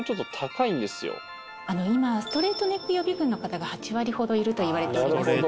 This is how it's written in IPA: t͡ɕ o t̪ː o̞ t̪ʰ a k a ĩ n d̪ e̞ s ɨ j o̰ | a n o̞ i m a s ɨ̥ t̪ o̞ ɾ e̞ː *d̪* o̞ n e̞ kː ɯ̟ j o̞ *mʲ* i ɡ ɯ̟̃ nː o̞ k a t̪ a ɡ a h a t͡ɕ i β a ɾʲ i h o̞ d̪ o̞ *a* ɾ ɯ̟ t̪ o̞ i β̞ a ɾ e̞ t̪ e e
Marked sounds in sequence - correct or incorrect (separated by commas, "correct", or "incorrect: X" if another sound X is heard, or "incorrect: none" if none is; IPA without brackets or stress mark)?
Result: incorrect: t̪, incorrect: bʲ, incorrect: i